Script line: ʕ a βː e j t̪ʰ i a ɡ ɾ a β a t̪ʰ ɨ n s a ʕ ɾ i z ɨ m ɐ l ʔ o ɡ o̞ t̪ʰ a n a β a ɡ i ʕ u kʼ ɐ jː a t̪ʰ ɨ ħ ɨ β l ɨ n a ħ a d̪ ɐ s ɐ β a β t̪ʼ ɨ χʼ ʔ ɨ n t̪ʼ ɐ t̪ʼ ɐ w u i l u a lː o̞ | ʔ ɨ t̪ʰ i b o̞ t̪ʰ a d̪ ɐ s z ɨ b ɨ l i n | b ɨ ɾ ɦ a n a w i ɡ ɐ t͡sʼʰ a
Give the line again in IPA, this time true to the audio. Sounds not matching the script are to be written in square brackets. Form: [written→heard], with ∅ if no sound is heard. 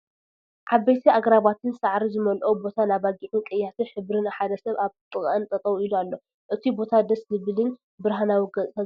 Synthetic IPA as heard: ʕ a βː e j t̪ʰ i a ɡ ɾ a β a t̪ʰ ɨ n s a ʕ ɾ i z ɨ m ɐ l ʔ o [ɡ→b] o̞ t̪ʰ a n a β a ɡ i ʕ u kʼ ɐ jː a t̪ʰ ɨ ħ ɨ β [l→ɾ] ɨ n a ħ a d̪ ɐ s ɐ β a β t̪ʼ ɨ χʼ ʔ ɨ n t̪ʼ ɐ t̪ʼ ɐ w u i l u a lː o̞ | ʔ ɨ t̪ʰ i b o̞ t̪ʰ a d̪ ɐ s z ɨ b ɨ l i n | b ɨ ɾ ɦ a n a w i ɡ ɐ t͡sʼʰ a